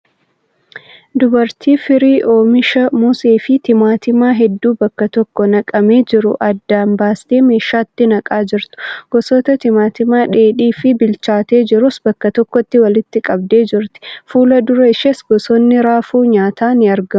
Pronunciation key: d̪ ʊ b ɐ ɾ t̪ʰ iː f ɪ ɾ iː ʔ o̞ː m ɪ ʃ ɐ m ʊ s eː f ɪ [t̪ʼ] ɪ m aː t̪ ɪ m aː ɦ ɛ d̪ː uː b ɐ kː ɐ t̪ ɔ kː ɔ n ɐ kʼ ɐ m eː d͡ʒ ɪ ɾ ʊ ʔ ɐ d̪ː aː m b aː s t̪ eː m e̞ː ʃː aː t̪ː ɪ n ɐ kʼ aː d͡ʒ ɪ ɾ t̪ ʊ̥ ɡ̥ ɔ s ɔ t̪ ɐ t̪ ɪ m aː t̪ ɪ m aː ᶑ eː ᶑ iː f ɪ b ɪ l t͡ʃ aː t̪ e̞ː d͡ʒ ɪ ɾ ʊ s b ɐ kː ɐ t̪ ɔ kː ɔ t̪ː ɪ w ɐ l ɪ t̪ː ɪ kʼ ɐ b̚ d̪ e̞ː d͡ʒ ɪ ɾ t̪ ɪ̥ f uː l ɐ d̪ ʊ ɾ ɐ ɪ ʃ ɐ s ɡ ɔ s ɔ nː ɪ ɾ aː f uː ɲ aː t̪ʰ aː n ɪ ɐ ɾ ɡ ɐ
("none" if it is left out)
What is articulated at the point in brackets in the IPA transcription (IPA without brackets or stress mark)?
t̪